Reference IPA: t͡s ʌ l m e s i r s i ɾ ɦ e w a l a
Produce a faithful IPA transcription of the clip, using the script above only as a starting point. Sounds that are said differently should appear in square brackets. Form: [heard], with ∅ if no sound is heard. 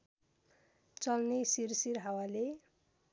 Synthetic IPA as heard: t͡s ʌ l [n] e s i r s i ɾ ɦ [a] w a l [e]

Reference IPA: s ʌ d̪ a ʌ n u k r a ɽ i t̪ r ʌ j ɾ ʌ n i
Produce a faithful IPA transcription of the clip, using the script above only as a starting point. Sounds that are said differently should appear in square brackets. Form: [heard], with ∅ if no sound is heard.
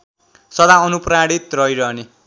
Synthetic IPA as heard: s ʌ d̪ a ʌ n u [p] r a ɽ i t̪ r ʌ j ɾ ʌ n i

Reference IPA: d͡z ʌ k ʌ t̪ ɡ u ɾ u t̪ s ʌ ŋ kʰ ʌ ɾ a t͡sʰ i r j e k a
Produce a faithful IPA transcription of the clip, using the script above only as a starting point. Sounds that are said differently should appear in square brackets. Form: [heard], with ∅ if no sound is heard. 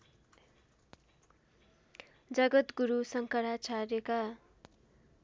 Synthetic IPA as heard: d͡z ʌ [ɡ] ʌ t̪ ɡ u ɾ u [∅] s ʌ ŋ [k] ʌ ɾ a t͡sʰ [a] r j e k a

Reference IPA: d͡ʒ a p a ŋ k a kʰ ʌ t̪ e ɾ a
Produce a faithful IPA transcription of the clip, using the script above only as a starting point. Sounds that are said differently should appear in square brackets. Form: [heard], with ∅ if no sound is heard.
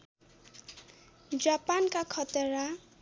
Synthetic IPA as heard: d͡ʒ a p a [n] k a kʰ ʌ t̪ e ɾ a

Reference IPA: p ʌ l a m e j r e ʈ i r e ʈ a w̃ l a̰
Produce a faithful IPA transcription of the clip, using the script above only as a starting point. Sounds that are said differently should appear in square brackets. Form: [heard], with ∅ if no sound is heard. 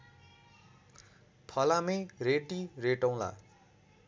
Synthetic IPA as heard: [pʰ] ʌ l a m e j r e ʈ i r e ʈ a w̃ l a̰

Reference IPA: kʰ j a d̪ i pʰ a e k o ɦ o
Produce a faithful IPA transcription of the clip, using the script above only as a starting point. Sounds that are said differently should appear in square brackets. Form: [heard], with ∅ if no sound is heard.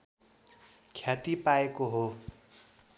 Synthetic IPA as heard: kʰ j a [t̪] i [p] a e k o ɦ o

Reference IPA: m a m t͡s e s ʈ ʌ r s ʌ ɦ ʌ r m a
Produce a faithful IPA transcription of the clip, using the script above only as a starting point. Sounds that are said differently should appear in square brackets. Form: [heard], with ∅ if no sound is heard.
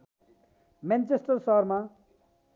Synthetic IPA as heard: m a [n] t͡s e s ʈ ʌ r s ʌ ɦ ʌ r m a

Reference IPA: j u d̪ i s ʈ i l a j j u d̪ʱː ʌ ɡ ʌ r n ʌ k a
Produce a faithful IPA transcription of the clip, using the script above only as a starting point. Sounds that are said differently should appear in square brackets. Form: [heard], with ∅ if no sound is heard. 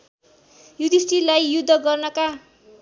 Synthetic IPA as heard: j u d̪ i s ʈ i l a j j u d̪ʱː ʌ ɡ ʌ r n ʌ k a

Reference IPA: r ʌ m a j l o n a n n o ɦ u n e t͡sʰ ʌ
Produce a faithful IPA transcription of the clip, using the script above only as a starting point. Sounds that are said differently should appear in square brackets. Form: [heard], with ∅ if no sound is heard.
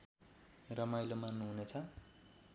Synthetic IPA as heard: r ʌ m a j l o [m] a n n [u] ɦ u n e t͡sʰ ʌ

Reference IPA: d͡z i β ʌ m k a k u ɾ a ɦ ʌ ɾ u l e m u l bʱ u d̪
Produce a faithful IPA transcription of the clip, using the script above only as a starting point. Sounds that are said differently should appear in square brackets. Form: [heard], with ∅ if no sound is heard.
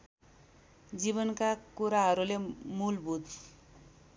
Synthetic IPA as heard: d͡z i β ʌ [n] k a k u ɾ a ɦ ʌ ɾ u l e m u l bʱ u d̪

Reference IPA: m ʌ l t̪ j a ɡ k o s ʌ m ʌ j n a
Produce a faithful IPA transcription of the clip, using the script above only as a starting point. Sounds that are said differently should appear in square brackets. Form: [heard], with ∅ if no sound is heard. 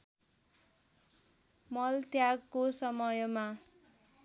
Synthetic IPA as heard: m ʌ l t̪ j a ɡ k o s ʌ m ʌ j [m] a

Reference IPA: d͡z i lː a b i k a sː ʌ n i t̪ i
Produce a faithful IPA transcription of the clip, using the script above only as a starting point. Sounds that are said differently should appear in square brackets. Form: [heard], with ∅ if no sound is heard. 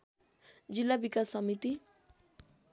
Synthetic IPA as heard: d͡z i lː a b i k a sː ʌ [m] i t̪ i

